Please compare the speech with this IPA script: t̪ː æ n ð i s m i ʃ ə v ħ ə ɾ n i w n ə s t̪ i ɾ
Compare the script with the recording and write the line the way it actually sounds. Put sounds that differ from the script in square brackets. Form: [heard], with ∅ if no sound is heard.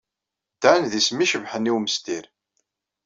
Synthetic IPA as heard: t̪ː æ n ð i s m i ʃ ə v ħ ə [∅] n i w [m] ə s t̪ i ɾ